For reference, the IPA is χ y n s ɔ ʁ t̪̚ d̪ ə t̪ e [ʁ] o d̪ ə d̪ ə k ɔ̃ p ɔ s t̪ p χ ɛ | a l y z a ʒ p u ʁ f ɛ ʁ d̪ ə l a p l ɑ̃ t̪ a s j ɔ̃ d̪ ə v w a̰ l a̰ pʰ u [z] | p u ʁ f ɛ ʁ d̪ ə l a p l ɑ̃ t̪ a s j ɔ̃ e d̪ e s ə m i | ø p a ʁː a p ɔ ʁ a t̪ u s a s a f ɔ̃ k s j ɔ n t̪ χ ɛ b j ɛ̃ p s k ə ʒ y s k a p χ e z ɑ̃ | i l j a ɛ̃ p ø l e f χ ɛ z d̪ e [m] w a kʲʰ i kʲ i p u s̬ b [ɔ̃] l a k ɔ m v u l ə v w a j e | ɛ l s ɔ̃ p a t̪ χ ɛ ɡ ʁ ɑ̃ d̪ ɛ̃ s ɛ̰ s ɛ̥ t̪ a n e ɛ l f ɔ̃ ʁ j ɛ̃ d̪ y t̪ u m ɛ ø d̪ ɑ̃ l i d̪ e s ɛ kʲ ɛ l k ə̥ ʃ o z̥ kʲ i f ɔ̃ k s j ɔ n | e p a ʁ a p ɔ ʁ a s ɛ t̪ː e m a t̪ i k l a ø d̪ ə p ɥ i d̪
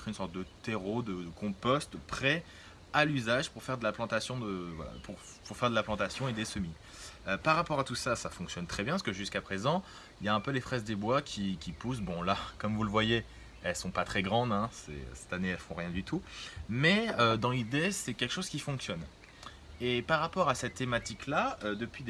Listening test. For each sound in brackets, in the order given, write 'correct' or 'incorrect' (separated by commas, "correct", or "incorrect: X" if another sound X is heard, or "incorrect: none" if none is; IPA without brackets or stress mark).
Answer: correct, incorrect: ʁ, incorrect: b, correct